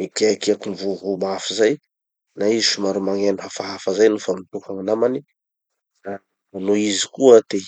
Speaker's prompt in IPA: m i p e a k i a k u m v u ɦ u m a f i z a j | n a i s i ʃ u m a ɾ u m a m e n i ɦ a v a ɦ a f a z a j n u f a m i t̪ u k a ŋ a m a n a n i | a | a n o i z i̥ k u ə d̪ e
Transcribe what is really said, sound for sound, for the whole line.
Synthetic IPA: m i k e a k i a k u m v u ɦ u m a f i z a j | n a i z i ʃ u m a ɾ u m a ŋ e n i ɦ a f a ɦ a f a z a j n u f a m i t̪ u k a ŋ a n a m a n i | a | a n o i z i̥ k u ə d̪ e